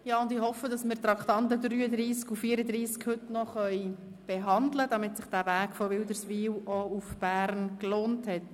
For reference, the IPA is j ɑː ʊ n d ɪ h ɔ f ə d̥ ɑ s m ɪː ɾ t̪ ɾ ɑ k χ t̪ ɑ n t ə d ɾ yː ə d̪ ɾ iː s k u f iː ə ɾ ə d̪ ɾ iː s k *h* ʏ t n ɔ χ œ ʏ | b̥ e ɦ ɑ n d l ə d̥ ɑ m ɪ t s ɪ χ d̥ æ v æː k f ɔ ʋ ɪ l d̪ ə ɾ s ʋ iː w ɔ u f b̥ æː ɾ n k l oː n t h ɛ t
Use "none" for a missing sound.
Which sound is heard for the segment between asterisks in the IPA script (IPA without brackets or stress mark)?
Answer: h